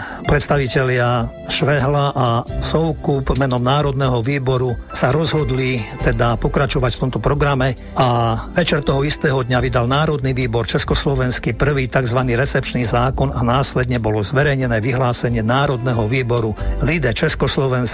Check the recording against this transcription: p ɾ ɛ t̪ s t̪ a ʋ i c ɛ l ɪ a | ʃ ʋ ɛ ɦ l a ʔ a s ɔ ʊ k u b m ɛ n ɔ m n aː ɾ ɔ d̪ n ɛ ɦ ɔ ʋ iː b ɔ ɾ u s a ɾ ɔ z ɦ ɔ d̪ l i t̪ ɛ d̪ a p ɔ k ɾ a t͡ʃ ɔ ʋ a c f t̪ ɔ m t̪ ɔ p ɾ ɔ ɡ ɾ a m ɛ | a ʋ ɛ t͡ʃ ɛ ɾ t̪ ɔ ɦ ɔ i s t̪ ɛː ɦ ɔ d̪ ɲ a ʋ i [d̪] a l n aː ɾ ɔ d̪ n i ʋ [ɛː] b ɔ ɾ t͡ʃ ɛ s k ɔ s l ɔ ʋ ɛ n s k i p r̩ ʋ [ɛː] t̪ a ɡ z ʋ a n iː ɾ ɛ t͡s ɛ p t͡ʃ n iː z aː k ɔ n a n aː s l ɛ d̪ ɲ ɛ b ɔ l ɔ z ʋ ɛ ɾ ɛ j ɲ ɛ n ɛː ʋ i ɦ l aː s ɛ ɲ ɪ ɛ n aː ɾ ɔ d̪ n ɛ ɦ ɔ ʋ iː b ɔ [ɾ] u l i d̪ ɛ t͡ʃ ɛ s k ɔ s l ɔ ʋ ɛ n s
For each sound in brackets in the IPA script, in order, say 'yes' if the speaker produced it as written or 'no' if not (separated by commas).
yes, no, no, yes